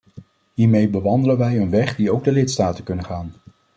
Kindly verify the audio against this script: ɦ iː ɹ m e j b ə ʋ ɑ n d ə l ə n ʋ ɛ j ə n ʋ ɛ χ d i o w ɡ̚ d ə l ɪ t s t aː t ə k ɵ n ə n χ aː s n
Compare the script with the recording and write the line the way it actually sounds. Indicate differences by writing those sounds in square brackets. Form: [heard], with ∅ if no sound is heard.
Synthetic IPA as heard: ɦ iː ɹ m e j b ə ʋ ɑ n d ə l ə n ʋ ɛ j ə n ʋ ɛ χ d i o w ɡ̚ d ə l ɪ t s t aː t ə k ɵ n ə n χ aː [∅] n

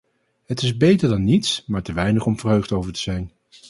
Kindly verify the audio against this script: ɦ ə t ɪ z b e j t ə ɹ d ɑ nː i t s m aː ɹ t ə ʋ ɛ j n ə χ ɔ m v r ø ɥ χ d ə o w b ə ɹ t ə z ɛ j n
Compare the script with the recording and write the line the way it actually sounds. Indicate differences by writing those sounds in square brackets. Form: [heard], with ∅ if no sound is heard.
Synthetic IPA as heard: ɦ ə t ɪ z b e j t ə ɹ d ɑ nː i t s m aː ɹ t ə ʋ ɛ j n ə χ ɔ m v r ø ɥ χ d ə o w [v] ə ɹ t ə z ɛ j n

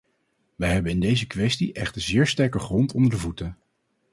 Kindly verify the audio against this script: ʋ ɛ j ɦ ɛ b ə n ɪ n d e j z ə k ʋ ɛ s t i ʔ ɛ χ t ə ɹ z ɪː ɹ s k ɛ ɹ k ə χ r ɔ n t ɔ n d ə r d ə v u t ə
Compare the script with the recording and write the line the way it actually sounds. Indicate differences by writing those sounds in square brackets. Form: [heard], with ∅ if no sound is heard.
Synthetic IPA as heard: ʋ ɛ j ɦ ɛ b ə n ɪ n d e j z ə k ʋ ɛ s t i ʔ ɛ χ t ə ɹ z ɪː ɹ s [t] ɛ ɹ k ə χ r ɔ n t ɔ n d ə [ɹ] d ə v u t ə

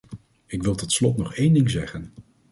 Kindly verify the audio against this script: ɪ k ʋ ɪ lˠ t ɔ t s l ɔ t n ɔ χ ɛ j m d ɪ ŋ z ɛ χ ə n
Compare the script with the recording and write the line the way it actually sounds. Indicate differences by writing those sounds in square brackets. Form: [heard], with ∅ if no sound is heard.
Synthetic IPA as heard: ɪ k ʋ ɪ lˠ t ɔ t s l ɔ t n ɔ χ [e] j [n] d ɪ ŋ z ɛ χ ə n

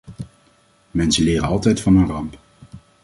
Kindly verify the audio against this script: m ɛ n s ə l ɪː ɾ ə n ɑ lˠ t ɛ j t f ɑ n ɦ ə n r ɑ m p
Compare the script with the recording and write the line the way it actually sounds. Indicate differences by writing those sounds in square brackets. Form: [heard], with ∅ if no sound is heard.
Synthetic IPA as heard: m ɛ n s ə l ɪː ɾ ə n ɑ lˠ t ɛ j t f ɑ n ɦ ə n r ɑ m p

